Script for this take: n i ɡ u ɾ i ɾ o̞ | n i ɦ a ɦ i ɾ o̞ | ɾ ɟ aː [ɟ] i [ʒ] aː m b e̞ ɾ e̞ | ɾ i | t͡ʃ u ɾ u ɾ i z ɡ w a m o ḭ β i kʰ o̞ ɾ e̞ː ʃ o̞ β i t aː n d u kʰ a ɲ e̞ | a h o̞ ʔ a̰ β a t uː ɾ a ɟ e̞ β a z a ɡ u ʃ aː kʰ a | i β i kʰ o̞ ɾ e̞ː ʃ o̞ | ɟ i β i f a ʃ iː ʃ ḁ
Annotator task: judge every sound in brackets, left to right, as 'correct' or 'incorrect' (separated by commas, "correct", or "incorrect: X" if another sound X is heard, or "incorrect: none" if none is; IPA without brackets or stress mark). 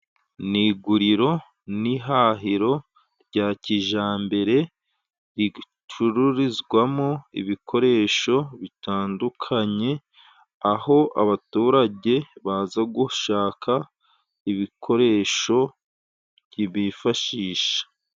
incorrect: c, correct